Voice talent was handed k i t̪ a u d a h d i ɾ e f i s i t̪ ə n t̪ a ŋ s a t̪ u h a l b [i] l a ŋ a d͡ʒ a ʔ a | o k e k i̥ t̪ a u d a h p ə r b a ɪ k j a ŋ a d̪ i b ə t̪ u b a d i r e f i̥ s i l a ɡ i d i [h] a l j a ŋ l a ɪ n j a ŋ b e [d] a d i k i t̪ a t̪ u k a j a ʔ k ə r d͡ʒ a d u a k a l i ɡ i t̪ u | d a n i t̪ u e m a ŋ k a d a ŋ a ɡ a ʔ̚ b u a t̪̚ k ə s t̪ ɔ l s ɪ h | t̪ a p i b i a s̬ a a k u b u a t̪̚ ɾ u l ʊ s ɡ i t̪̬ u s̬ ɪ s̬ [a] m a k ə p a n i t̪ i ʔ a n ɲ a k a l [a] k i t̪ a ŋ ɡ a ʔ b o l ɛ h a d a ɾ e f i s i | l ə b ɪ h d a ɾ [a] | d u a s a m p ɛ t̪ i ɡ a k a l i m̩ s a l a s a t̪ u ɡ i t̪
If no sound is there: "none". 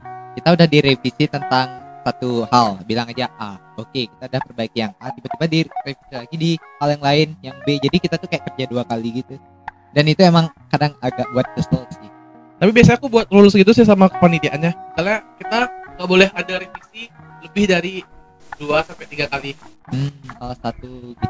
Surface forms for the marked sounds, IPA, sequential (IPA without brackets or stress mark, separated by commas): i, h, d͡ʒ, a, a, i